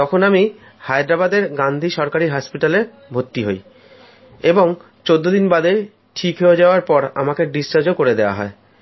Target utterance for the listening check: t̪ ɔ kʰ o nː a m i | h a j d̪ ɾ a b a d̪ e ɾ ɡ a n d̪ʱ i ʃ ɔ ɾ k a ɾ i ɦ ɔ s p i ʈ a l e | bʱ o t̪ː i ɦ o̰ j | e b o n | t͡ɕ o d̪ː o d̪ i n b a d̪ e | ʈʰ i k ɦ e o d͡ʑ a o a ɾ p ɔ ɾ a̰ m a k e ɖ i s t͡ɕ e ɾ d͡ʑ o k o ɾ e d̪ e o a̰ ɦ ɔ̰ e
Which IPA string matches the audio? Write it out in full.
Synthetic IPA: t̪ ɔ kʰ o n a m i | h a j d̪ ɾ a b a d̪ e ɾ ɡ a n d̪ʱ i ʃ ɔ ɾ k a ɾ i ɦ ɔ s p i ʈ a l e | bʱ o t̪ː i ɦ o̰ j | e b o ŋ | t͡ɕ o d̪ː o d̪ i n b a d̪ e | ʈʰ i k ɦ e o d͡ʑ a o a ɾ p ɔ ɾ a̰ m a k e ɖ i s t͡ɕ a ɾ d͡ʑ o k o ɾ e d̪ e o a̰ ɦ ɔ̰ e

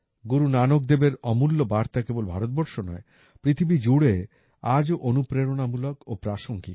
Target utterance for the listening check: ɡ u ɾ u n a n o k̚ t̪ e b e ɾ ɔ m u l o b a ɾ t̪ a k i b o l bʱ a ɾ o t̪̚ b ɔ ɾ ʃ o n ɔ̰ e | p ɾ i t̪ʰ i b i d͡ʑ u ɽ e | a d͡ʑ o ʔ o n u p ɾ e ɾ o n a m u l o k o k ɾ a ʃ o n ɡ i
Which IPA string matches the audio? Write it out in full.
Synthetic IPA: ɡ u ɾ u n a n o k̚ d̪ e b e ɾ ɔ m u lː o b a ɾ t̪ a k e b o l bʱ a ɾ o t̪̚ b ɔ ɾ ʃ o n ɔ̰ e | p ɾ i t̪ʰ i b i d͡ʑ u ɽ e | a d͡ʑ o ʔ o n u p ɾ e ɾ o n a m u l o k o p ɾ a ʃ o ŋ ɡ i

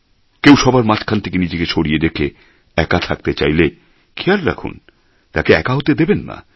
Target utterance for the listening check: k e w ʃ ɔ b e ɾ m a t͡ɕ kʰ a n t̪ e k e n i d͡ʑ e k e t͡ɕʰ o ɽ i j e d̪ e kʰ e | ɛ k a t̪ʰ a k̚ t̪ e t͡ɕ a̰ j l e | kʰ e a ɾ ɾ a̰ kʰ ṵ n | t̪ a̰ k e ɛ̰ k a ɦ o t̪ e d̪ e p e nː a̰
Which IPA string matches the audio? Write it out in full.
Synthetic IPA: k e w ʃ ɔ b a ɾ m a t͡ɕ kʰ a n t̪ʰ e k e n i d͡ʑ e k e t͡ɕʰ o ɽ i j e d̪ e kʰ e | ɛ k a t̪ʰ a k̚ t̪ e t͡ɕ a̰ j l e | kʰ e a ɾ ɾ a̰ kʰ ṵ n | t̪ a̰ k e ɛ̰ k a ɦ o t̪ e d̪ e b e nː a̰

